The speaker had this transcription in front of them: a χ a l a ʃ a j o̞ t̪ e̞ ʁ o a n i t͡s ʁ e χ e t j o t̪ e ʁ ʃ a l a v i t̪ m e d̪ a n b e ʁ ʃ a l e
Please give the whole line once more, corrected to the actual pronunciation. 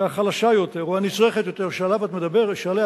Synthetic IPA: a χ a l a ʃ a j o̞ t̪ e̞ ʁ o a n i t͡s ʁ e χ e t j o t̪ e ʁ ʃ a l a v a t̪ m e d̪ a b e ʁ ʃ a l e